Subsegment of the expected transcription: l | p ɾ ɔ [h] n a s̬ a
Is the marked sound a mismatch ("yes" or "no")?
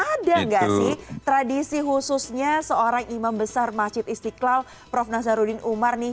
yes